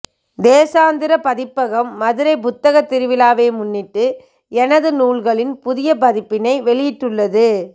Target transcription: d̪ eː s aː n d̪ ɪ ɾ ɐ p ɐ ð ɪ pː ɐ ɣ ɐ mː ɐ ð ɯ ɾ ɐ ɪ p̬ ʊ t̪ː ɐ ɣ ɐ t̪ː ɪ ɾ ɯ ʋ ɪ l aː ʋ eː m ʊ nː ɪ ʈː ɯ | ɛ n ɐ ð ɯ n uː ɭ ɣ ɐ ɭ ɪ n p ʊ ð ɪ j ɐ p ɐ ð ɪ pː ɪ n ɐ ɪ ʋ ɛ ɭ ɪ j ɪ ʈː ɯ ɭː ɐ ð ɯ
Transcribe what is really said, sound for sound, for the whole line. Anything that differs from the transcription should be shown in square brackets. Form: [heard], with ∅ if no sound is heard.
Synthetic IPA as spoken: d̪ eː s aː n d̪ ɪ ɾ ɐ p ɐ ð ɪ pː ɐ ɣ ɐ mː ɐ ð ɯ ɾ ɐ ɪ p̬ ʊ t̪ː ɐ ɣ ɐ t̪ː ɪ ɾ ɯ ʋ ɪ l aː ʋ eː m ʊ nː ɪ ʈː ɯ | ɛ n ɐ ð ɯ n uː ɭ ɣ ɐ ɭ ɪ n p ʊ ð ɪ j ɐ p ɐ ð ɪ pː ɪ n ɐ ɪ ʋ ɛ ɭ ɪ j ɪ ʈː ɯ ɭː ɐ ð ɯ